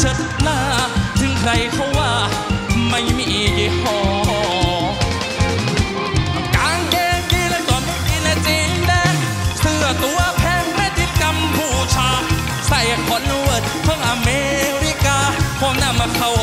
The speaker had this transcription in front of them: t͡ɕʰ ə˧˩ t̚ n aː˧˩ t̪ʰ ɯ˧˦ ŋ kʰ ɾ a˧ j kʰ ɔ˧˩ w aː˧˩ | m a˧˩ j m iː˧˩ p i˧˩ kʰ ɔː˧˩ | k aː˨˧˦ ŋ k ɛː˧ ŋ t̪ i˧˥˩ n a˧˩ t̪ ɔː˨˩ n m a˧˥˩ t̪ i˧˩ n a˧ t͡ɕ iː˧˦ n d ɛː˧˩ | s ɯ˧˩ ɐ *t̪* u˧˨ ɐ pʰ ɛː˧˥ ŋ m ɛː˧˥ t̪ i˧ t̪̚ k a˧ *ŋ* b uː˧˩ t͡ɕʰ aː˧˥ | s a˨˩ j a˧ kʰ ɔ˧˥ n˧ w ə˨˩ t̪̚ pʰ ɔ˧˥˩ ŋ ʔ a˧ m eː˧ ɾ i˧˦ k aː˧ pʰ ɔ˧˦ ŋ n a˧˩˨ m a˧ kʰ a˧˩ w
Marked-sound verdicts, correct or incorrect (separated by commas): correct, incorrect